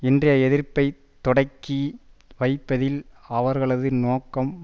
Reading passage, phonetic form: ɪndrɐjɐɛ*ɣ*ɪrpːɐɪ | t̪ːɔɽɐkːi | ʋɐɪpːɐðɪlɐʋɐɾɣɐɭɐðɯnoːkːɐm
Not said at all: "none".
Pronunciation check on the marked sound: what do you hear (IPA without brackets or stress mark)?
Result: ð